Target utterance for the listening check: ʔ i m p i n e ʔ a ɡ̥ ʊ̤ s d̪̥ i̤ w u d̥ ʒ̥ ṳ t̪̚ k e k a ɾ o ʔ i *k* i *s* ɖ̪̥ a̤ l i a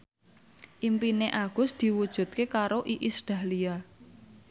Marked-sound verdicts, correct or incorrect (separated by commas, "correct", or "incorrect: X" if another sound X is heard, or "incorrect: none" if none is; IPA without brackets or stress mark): incorrect: ʔ, correct